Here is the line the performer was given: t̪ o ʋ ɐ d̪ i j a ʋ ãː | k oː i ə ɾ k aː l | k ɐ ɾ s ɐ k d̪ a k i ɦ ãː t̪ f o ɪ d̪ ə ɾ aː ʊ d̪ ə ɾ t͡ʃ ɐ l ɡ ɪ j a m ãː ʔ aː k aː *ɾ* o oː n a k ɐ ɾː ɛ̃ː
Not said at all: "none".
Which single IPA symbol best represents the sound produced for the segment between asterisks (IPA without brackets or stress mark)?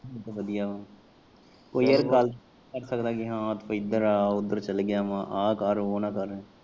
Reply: ɾ